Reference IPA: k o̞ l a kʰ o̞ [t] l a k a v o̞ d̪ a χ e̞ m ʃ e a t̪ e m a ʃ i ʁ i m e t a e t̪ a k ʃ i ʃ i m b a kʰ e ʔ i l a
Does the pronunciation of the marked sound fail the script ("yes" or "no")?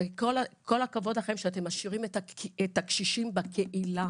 yes